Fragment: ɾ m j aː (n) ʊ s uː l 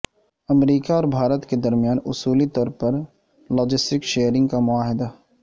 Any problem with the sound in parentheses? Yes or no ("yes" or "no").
no